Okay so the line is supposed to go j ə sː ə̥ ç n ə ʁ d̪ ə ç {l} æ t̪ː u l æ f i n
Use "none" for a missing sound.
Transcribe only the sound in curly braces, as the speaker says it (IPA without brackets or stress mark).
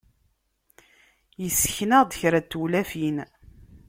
ɾ